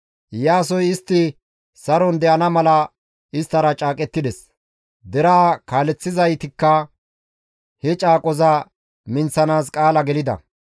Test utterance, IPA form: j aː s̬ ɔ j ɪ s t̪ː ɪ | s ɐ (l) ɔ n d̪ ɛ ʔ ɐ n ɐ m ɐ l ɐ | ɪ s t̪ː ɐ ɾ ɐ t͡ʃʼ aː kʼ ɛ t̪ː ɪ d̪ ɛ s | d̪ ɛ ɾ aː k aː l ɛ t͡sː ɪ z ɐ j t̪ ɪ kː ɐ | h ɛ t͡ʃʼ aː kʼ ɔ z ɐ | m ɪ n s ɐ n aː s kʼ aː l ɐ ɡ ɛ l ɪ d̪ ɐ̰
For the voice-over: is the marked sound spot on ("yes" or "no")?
no